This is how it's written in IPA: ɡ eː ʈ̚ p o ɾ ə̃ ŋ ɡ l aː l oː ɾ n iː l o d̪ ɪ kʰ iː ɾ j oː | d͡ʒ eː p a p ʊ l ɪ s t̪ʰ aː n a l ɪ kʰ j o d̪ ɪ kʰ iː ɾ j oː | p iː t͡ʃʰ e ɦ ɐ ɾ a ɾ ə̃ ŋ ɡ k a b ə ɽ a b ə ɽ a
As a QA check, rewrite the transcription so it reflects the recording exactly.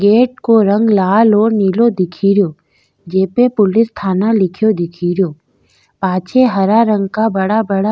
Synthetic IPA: ɡ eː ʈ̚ k o ɾ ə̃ ŋ ɡ l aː l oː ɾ n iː l o d̪ ɪ kʰ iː ɾ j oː | d͡ʒ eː p e p ʊ l ɪ s t̪ʰ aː n a l ɪ kʰ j o d̪ ɪ kʰ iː ɾ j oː | p aː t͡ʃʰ e ɦ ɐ ɾ a ɾ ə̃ ŋ ɡ k a b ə ɽ a b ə ɽ a